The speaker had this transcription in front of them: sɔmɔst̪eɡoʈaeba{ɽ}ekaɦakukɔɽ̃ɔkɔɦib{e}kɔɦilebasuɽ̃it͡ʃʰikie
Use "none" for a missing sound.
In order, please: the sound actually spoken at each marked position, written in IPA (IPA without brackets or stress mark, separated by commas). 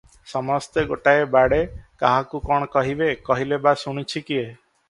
ɽ, e